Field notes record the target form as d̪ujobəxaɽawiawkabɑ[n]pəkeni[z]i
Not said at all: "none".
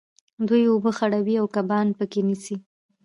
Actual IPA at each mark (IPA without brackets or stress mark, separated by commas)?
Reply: n, s